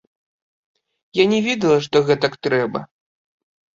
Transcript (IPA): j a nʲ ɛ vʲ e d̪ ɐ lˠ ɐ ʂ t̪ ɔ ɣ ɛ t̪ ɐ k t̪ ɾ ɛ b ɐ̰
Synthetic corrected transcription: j a nʲ ɛ vʲ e d̪ ɐ lˠ ɐ ʂ t̪ ɔ ɣ ɛ t̪ ɐ k t̪ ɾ ɛ b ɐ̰